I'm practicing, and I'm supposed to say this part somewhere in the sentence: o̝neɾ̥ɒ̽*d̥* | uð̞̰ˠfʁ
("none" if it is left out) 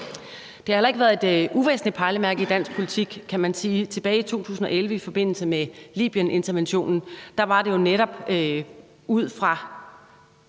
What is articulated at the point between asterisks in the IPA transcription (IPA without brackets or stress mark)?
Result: b̥